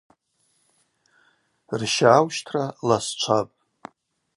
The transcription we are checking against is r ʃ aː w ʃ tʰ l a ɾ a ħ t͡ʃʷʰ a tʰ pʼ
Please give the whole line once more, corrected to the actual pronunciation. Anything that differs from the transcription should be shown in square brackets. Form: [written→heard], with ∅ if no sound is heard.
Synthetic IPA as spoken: r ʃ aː w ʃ tʰ [l→r] a [ɾ→l] a [ħ→s] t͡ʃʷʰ a [tʰ→∅] pʼ